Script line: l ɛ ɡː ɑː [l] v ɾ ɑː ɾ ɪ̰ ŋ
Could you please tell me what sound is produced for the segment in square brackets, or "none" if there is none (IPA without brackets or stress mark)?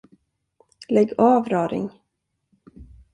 none